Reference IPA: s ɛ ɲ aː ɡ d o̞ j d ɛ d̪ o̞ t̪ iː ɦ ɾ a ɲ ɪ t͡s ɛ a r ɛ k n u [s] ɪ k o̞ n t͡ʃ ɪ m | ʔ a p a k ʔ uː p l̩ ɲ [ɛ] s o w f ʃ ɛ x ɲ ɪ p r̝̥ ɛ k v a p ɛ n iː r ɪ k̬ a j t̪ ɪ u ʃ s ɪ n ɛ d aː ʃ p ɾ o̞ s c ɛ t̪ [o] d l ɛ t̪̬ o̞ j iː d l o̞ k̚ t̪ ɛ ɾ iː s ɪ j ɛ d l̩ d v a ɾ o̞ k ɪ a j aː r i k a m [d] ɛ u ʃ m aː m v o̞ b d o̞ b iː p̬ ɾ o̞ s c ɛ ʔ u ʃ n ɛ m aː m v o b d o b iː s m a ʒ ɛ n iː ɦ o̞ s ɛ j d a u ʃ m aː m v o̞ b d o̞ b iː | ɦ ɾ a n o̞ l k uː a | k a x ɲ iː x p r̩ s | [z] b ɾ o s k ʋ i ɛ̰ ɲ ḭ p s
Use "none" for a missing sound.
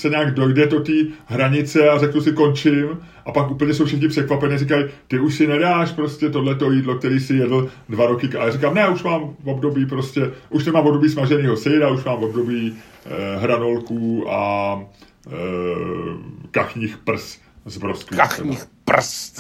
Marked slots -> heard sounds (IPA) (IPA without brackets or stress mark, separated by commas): s, ɛ, o, n, z